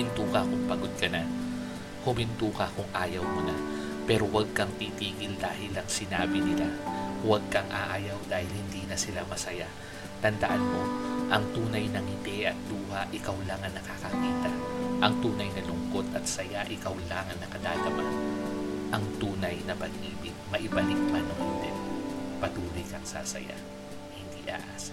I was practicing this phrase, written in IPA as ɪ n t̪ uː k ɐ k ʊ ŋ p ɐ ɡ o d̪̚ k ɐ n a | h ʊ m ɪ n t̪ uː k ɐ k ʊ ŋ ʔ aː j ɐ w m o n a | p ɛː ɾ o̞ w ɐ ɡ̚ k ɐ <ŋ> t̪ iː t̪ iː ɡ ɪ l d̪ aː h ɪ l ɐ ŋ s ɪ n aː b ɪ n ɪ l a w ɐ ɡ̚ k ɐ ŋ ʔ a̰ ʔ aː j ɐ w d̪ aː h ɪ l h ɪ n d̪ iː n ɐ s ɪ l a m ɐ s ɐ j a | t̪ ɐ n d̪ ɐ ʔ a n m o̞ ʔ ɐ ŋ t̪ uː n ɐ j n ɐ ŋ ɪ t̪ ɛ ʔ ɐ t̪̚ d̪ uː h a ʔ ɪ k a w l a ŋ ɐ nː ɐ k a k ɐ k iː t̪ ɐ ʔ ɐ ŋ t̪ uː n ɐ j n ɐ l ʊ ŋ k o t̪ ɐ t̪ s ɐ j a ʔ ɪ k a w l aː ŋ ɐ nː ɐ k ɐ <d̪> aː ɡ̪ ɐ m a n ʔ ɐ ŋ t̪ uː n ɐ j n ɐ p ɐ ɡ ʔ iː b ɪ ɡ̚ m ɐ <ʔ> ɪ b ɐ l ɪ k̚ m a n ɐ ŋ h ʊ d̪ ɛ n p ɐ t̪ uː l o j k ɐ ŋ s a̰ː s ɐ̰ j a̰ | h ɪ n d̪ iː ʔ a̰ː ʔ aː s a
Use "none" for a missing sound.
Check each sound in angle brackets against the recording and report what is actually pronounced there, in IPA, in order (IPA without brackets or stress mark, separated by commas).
ŋ, d̪, ʔ